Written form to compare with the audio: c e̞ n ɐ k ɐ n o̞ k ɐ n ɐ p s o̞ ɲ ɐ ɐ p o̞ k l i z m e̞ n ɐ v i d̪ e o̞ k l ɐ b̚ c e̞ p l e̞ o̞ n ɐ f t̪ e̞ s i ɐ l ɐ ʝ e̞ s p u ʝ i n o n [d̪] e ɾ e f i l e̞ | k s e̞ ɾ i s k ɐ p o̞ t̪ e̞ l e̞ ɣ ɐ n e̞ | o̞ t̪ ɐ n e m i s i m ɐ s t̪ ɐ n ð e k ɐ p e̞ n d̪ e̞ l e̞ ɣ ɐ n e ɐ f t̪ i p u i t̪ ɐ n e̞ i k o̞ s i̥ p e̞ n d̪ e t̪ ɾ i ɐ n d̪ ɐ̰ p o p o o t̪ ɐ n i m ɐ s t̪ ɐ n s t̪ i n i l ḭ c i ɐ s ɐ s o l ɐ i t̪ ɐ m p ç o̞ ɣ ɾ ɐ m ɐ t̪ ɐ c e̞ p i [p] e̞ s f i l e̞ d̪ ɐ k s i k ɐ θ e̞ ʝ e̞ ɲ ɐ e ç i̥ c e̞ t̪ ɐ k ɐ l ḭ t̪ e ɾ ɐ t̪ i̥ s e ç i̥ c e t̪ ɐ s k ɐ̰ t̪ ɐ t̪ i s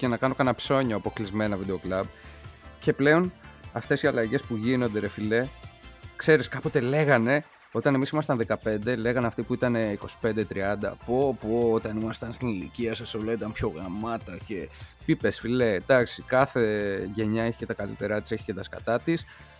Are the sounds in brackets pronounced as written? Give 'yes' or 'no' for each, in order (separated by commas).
yes, yes